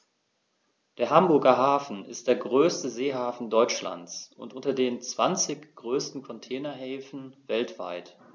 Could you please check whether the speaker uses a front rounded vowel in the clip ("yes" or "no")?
yes